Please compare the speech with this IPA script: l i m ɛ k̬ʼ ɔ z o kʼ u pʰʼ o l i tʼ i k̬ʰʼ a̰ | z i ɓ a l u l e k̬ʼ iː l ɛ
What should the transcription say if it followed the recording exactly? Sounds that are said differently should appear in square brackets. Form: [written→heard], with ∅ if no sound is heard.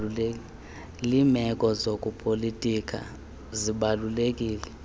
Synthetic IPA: l i m ɛ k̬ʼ ɔ z o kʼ u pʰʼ o l i tʼ i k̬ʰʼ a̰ | z i ɓ a l u l e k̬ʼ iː l ɛ